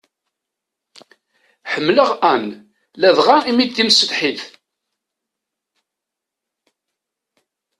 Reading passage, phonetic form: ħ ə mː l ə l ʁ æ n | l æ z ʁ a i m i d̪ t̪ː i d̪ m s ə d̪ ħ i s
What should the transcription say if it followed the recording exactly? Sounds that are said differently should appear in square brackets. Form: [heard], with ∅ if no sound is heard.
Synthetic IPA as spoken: ħ ə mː l ə [∅] ʁ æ n | l æ [ð] ʁ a i m i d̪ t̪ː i [∅] m s ə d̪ ħ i [θ]